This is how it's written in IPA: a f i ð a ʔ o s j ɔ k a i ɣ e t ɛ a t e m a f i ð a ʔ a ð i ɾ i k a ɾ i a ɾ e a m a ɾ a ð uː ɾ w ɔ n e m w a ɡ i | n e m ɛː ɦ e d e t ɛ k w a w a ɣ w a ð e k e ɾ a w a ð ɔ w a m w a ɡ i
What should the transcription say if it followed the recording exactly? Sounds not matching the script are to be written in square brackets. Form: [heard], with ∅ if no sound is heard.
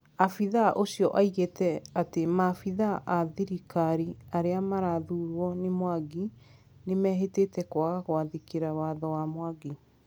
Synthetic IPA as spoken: a f i ð a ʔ o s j ɔ [ʔ] a i ɣ e t ɛ a t e m a f i ð a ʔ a ð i ɾ i k a ɾ i a ɾ e a m a ɾ a ð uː ɾ w ɔ n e m w a ɡ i | n e m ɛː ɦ e [t] e t ɛ k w a [ɣ] a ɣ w a ð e k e ɾ a w a ð ɔ w a m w a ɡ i